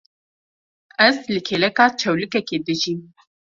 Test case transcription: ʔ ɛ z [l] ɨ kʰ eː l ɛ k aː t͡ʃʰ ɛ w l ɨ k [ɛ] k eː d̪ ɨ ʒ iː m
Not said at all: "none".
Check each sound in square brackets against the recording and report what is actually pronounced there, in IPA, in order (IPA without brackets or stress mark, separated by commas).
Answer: l, ɛ